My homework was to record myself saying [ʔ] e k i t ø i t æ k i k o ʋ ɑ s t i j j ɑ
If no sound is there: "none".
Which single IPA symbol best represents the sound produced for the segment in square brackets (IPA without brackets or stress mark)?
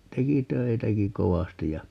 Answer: t